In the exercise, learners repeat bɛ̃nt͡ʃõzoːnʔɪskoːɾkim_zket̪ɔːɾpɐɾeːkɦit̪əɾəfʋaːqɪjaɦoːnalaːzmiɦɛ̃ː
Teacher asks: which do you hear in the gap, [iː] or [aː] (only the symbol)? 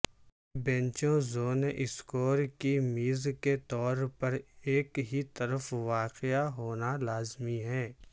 iː